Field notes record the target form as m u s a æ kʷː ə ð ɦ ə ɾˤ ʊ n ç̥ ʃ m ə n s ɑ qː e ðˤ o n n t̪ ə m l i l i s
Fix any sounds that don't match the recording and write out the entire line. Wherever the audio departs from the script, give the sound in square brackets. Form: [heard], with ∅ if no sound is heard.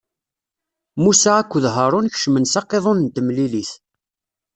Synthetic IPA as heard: m u s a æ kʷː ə ð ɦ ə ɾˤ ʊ n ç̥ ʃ m ə n s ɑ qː e ðˤ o n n t̪ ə m l i l i [θ]